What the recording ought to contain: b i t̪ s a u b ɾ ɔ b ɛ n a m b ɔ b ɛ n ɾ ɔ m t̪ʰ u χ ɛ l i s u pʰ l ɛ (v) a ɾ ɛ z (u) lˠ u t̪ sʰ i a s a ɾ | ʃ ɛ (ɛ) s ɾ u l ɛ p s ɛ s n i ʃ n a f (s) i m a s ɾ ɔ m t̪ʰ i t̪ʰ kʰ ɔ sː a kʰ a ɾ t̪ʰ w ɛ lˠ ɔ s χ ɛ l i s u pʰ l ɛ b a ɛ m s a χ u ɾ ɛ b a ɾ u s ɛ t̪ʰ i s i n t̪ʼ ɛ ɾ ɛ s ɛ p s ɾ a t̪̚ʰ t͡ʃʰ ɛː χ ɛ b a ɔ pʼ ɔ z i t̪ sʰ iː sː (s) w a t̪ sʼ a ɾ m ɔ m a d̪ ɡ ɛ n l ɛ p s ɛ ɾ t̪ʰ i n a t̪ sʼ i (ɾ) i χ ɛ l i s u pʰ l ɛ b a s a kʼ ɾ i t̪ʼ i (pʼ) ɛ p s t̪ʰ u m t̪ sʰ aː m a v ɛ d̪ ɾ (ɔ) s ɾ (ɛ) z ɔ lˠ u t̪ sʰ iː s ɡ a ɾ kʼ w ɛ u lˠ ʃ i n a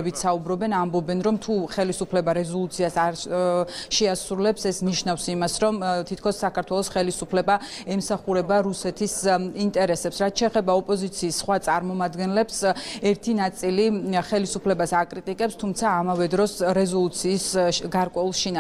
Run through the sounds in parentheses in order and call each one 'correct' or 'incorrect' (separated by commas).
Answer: incorrect, incorrect, incorrect, correct, incorrect, incorrect, incorrect, correct, correct